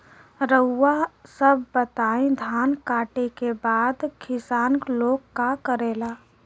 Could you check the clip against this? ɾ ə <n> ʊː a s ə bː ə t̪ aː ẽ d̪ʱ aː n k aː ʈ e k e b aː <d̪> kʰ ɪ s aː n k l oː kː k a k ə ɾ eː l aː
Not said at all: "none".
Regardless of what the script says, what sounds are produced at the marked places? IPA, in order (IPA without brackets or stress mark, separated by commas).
none, d̪